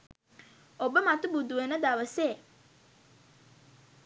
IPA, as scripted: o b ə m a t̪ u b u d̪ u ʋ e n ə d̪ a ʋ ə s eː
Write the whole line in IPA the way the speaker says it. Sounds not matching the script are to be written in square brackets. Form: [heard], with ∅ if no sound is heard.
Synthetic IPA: o b ə m a t̪ u b u d̪ u ʋ e n ə d̪ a ʋ ə s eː